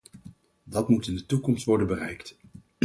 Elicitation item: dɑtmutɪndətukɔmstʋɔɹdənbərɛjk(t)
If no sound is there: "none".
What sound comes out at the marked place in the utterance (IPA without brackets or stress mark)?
t